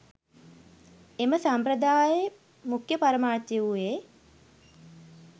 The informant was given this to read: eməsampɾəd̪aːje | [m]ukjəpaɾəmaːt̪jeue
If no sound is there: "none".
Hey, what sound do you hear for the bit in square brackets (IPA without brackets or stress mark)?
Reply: m